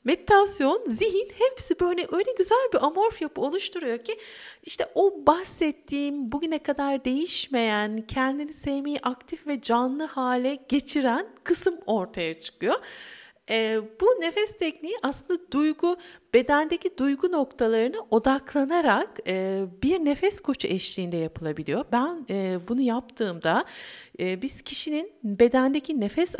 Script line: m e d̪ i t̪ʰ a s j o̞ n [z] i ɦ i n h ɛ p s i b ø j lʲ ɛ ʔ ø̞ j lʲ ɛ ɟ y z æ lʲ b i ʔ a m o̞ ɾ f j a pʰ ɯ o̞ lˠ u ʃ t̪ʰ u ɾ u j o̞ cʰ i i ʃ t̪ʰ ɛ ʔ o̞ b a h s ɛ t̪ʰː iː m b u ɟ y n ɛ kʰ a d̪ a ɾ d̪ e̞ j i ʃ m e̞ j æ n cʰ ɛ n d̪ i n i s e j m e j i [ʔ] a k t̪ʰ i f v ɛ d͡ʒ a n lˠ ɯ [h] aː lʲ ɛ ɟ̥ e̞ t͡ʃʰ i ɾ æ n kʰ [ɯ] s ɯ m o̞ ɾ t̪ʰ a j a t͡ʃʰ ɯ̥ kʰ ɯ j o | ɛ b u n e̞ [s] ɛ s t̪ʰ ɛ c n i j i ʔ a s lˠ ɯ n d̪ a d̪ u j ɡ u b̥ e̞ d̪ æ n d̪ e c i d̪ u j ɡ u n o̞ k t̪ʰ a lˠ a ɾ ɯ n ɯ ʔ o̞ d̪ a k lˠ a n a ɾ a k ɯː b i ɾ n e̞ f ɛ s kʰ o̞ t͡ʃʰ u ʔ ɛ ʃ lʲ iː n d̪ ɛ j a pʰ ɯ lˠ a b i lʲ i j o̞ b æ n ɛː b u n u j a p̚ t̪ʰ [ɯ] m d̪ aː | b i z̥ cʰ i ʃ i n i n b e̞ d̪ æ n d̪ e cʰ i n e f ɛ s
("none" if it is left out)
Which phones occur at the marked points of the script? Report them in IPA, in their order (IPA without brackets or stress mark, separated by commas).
z, ʔ, h, ɯ, f, ɯː